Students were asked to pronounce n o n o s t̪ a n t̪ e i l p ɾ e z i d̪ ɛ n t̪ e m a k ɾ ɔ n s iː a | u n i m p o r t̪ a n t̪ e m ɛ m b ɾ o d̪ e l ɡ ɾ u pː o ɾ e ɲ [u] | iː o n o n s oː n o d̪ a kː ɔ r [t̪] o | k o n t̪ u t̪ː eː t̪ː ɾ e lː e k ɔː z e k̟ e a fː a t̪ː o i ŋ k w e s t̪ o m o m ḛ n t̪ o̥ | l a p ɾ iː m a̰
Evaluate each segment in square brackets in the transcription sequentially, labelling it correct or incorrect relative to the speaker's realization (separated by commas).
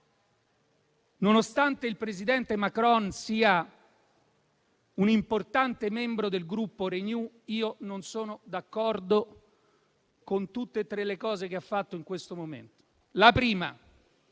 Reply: correct, incorrect